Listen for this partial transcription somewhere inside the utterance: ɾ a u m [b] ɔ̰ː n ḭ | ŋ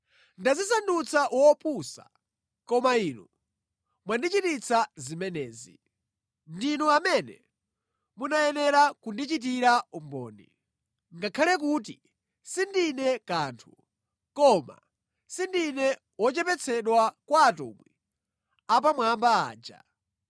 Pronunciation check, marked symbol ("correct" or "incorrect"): correct